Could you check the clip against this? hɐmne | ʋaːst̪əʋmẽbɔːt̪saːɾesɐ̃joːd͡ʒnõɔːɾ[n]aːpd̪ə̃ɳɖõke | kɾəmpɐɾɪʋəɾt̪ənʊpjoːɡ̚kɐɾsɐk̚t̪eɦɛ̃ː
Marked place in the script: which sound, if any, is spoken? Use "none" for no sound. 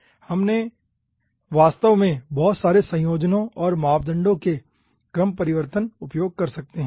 m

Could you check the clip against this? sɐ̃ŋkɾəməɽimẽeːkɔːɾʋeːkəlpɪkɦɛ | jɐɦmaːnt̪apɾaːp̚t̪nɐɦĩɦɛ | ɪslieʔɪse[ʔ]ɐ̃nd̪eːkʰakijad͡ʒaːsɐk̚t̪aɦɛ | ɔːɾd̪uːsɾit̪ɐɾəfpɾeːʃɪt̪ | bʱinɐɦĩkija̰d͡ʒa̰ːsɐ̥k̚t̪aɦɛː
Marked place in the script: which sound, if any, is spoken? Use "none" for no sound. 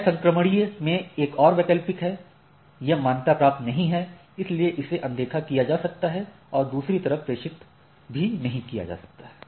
ʔ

